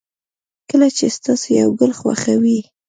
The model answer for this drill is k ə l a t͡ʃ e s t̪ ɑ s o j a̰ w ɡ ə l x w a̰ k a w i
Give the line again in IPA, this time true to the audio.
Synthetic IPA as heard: k ə l a t͡ʃ e s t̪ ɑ s o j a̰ w ɡ ə l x w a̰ x a w i